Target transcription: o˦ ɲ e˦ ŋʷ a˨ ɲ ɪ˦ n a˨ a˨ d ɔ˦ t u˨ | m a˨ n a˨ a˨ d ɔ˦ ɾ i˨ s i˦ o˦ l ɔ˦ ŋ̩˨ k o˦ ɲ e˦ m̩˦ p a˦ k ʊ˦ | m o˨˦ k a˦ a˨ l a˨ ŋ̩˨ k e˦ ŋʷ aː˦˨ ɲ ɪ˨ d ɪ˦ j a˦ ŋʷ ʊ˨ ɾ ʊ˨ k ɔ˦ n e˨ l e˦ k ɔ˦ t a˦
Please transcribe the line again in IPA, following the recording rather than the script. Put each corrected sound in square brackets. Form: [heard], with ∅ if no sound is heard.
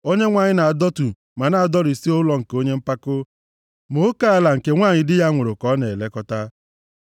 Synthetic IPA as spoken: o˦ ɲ e˦ ŋʷ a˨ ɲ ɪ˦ n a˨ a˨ d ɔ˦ t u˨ | m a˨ n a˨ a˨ d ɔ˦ ɾ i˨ s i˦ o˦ l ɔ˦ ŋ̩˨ k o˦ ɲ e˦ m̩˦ p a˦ k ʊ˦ | m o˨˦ k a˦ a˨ l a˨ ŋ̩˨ k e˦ ŋʷ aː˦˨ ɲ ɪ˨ d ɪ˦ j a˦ ŋʷ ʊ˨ ɾ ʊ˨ k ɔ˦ n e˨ l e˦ k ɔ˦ t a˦